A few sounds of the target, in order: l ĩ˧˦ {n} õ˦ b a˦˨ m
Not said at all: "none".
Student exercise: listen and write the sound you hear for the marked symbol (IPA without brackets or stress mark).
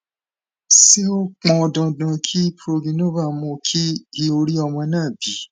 n